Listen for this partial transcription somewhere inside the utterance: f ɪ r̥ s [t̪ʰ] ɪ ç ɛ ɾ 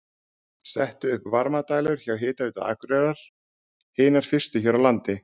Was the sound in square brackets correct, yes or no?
no